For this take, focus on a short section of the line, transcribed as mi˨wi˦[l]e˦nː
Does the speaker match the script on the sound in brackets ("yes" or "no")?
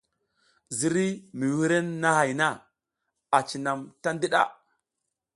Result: no